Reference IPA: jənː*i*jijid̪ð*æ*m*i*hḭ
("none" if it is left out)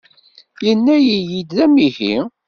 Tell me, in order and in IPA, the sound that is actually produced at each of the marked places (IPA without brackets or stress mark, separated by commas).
æ, æ, i